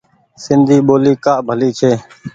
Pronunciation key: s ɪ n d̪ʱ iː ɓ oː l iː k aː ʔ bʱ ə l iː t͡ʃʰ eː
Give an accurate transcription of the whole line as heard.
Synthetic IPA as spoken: s ɪ n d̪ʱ iː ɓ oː l iː k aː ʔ bʱ ə l iː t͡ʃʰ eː